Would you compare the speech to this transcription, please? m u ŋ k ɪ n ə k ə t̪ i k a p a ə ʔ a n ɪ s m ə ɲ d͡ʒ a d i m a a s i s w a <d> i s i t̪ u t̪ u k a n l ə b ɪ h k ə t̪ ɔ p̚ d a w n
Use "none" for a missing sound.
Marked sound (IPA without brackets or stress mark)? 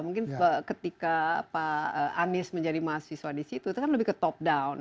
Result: d